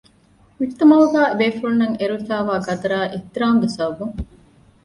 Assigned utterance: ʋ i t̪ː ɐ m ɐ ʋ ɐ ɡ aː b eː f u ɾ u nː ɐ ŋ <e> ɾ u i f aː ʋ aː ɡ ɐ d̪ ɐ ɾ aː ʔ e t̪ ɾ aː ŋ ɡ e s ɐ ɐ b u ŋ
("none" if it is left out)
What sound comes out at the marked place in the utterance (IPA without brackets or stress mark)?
e